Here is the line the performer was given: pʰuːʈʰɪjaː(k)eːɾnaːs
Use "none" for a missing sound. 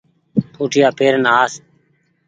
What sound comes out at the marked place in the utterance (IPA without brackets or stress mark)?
p